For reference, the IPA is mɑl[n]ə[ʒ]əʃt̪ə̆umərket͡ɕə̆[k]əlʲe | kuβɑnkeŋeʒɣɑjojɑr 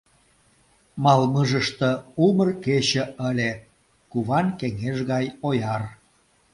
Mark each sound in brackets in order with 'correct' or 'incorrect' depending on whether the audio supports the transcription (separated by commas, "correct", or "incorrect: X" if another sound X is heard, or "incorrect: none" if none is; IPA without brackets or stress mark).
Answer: incorrect: m, correct, incorrect: none